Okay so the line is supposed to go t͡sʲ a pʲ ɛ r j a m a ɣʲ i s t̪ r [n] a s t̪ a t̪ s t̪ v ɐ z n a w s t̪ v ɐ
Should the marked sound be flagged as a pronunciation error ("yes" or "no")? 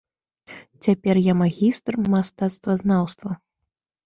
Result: yes